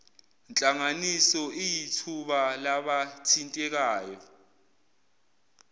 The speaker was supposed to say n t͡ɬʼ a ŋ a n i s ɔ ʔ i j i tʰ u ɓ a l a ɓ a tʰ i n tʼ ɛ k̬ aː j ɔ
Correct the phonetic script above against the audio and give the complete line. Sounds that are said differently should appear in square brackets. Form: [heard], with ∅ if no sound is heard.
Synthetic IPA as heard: n t͡ɬʼ a ŋ a n i s ɔ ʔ i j i tʰ u ɓ a l a ɓ a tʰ i n tʼ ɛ k̬ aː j ɔ